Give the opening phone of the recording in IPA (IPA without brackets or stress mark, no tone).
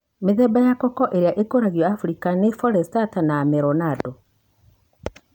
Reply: m